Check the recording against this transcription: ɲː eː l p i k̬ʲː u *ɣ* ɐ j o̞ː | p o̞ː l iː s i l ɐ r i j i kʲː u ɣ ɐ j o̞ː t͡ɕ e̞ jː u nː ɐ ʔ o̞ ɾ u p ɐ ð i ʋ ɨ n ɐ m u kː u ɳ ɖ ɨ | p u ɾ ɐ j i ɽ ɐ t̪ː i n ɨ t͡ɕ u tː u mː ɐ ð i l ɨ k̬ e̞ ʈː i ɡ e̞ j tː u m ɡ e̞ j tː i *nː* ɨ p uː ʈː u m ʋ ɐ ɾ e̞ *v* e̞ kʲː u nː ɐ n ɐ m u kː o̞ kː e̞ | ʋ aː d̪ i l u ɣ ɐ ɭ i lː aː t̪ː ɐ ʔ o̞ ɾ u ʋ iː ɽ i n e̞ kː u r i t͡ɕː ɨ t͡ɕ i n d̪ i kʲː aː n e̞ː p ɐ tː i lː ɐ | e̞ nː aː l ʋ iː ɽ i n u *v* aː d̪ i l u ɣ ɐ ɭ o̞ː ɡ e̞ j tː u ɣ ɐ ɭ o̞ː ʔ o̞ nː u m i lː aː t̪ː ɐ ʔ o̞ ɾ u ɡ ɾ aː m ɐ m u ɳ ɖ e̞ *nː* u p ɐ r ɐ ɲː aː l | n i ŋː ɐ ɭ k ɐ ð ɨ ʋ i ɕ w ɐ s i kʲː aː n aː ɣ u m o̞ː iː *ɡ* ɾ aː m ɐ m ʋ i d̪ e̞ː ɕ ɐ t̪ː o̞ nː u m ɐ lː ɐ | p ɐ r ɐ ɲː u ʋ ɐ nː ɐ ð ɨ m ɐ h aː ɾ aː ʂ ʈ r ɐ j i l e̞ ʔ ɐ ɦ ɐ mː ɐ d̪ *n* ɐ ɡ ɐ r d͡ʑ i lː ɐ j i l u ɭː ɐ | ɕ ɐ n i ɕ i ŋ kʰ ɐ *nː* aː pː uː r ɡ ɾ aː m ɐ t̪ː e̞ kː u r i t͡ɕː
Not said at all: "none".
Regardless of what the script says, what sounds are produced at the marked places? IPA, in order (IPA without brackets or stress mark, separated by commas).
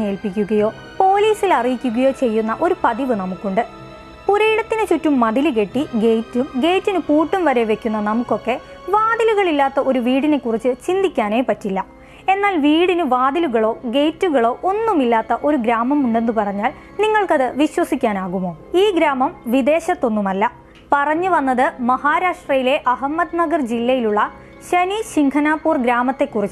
ɣ, n, ʋ, ʋ, nː, ɡ, n, n